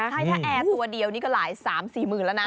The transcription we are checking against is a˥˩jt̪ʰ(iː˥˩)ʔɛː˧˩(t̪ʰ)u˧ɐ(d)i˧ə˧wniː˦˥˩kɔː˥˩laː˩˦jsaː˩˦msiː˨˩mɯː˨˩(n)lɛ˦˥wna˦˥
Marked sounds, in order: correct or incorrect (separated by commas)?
incorrect, incorrect, correct, correct